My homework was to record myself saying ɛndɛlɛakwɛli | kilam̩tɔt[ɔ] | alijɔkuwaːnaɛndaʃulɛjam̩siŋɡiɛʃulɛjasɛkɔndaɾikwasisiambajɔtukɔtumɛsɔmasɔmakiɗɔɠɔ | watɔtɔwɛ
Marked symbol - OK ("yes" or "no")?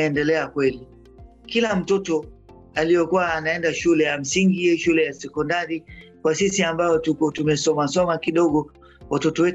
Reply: yes